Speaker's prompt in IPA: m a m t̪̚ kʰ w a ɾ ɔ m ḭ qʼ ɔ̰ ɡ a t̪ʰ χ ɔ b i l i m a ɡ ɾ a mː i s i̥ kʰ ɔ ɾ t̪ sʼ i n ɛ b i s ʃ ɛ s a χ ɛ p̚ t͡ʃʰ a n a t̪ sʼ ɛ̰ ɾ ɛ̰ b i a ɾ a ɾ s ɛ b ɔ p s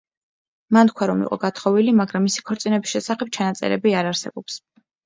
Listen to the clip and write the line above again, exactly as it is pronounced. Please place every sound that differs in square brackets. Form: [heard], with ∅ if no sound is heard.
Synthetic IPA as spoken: m a [n] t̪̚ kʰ w a ɾ ɔ m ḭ qʼ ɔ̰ ɡ a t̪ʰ χ ɔ [v] i l i m a ɡ ɾ a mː i s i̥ kʰ ɔ ɾ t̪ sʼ i n ɛ b i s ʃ ɛ s a χ ɛ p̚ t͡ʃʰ a n a t̪ sʼ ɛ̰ ɾ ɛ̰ b i a ɾ a ɾ s ɛ b ɔ p s